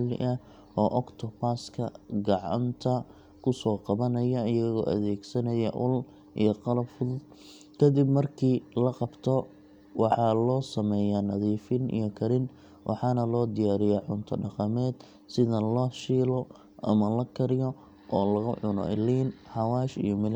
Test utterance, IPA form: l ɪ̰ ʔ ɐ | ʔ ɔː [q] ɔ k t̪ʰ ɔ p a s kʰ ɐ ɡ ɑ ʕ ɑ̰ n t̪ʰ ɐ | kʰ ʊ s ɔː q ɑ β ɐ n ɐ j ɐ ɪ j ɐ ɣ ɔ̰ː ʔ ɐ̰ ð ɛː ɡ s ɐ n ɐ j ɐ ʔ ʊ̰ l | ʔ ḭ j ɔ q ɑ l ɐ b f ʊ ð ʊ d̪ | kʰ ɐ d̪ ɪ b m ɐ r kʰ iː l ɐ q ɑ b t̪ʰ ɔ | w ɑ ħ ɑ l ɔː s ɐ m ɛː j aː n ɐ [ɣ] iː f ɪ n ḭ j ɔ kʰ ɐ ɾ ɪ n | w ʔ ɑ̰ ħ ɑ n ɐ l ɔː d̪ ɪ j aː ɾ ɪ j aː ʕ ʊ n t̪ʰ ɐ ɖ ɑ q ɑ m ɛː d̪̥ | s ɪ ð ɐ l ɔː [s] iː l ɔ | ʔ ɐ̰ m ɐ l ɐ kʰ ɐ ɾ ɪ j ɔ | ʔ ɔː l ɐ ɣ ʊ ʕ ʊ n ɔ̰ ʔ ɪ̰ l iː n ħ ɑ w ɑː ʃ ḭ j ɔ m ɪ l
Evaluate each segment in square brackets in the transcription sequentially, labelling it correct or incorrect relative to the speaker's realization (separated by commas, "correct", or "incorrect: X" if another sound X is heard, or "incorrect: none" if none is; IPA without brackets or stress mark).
incorrect: ʔ, incorrect: ð, incorrect: ʃ